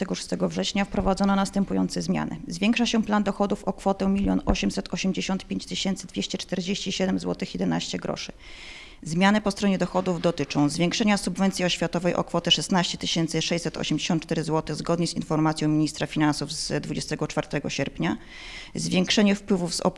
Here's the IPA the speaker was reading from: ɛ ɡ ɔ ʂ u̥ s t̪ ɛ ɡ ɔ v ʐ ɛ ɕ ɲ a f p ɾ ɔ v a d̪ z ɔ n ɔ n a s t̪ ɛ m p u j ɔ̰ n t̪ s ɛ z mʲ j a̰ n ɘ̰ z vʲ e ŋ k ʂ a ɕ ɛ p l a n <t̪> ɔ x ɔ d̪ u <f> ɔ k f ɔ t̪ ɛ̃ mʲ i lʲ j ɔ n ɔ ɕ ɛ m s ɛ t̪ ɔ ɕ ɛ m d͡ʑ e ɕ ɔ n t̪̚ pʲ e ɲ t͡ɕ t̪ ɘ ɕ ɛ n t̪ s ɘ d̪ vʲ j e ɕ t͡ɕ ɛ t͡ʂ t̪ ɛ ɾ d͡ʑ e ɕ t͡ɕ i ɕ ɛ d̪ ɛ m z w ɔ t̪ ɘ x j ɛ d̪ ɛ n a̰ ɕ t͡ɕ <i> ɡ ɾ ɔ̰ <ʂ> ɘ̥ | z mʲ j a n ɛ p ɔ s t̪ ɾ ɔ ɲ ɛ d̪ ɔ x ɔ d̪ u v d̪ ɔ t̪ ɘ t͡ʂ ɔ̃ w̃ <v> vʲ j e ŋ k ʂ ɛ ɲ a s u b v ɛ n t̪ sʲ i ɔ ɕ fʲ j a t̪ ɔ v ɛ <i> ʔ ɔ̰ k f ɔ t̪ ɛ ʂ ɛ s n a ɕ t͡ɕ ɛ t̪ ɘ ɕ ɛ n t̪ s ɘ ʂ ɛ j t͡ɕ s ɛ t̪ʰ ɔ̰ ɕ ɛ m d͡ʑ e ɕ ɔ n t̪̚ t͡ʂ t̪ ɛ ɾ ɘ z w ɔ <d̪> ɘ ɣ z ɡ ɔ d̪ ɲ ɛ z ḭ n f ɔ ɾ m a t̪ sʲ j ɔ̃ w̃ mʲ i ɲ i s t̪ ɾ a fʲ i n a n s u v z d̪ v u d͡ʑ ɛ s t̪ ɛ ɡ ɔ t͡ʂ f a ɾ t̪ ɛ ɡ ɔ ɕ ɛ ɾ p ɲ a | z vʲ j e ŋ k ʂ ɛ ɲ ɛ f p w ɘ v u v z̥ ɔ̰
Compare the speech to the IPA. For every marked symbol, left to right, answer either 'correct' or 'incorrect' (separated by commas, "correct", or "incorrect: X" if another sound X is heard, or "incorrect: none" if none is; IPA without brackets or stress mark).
incorrect: d̪, correct, incorrect: ɛ, correct, incorrect: z, incorrect: j, incorrect: t̪